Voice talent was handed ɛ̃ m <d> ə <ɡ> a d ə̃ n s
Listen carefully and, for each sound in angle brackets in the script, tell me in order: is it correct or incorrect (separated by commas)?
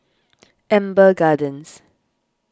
incorrect, correct